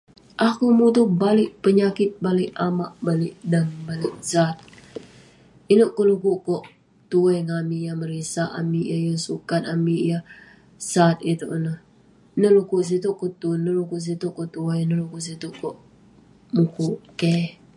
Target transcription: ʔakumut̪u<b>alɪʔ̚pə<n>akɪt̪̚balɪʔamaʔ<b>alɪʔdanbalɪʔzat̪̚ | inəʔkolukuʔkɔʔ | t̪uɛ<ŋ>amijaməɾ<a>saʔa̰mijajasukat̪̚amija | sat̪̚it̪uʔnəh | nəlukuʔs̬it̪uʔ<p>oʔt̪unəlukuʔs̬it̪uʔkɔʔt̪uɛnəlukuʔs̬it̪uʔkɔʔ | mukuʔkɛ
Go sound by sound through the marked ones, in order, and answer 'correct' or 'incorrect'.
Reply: correct, incorrect: ɲ, correct, correct, incorrect: i, incorrect: k

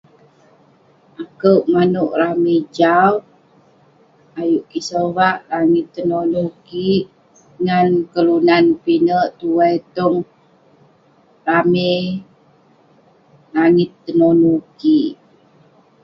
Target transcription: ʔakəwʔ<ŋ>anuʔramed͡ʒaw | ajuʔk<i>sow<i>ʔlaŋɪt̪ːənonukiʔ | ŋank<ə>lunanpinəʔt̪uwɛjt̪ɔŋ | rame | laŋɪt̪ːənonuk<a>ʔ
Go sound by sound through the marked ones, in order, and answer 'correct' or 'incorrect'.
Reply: incorrect: m, correct, incorrect: a, correct, incorrect: i

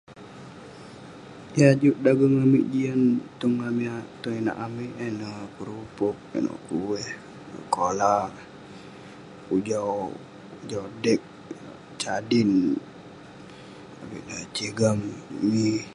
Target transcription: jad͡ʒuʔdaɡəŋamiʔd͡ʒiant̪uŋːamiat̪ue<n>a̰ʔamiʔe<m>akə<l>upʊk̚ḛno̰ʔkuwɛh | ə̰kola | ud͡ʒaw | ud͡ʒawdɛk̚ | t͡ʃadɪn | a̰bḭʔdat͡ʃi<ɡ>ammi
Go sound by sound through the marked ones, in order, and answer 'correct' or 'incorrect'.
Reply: correct, incorrect: n, incorrect: ɾ, correct

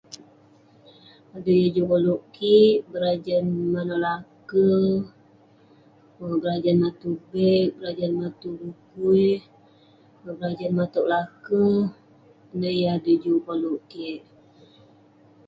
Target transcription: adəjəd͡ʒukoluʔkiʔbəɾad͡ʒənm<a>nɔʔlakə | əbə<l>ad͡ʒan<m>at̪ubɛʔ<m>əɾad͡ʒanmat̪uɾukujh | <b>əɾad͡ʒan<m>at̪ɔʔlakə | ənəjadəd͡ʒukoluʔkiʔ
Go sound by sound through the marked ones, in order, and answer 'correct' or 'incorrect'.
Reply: correct, incorrect: ɾ, correct, incorrect: b, correct, correct

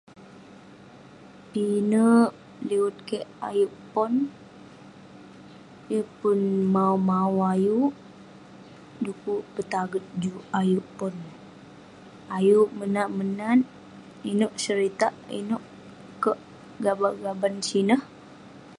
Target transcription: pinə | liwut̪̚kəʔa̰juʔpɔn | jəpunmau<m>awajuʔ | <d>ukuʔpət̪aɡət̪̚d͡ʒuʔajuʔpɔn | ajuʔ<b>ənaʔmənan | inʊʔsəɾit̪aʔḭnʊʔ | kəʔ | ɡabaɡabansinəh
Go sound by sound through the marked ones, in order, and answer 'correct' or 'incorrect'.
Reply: correct, correct, incorrect: m

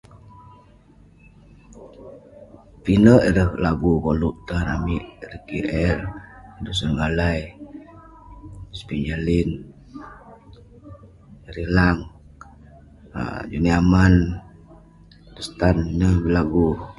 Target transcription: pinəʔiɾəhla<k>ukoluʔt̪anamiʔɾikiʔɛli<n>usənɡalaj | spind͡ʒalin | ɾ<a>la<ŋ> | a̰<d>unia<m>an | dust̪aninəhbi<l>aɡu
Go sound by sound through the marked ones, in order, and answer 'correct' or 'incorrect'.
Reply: incorrect: ɡ, incorrect: d, incorrect: i, correct, incorrect: d͡ʒ, correct, correct

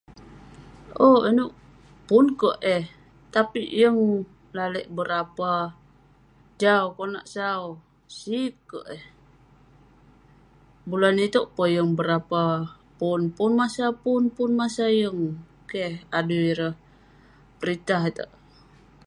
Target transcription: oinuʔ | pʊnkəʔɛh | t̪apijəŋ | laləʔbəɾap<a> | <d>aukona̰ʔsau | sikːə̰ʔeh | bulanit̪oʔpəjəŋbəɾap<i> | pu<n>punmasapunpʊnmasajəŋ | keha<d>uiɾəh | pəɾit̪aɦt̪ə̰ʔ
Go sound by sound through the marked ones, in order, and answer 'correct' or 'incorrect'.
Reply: correct, incorrect: d͡ʒ, incorrect: a, correct, correct

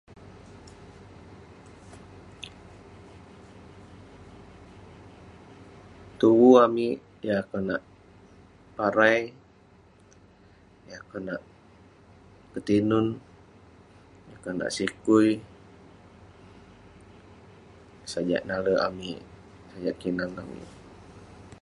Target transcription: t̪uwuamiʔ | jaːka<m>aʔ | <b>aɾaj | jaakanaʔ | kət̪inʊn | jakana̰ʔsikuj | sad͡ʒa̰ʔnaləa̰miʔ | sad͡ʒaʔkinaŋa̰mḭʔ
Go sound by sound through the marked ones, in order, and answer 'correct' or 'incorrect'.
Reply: incorrect: n, incorrect: p

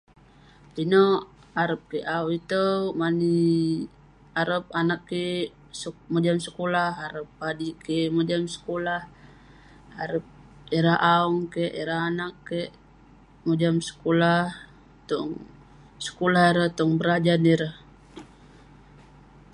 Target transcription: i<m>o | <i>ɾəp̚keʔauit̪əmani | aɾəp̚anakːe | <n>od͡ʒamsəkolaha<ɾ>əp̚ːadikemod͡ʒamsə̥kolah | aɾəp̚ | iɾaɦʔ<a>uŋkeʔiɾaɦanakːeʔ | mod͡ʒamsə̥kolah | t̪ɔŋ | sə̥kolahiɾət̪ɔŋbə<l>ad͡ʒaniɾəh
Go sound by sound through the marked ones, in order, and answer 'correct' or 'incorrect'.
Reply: incorrect: n, incorrect: a, incorrect: m, correct, correct, incorrect: ɾ

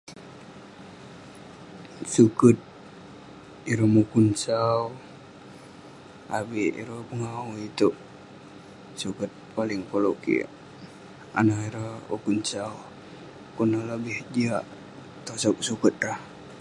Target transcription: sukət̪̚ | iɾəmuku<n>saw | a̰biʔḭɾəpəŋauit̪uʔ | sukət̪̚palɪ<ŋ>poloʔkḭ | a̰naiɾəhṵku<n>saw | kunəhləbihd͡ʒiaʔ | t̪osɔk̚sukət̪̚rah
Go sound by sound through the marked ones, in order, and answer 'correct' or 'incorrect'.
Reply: correct, correct, correct

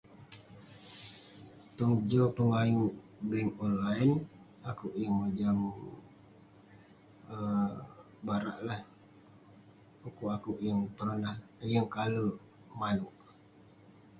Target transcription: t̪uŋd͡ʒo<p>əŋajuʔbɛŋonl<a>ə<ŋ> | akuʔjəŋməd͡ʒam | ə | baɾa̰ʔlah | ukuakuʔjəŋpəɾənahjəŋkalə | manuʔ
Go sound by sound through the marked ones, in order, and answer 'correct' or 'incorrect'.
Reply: correct, correct, incorrect: n

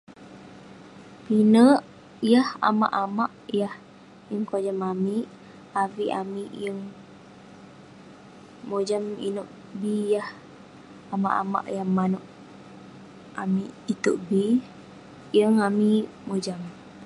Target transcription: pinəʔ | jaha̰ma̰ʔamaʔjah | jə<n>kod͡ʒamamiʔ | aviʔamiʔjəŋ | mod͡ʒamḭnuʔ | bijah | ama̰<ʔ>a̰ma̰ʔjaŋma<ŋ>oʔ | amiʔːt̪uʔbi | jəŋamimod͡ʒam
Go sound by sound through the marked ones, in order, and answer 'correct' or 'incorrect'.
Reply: incorrect: ŋ, correct, incorrect: n

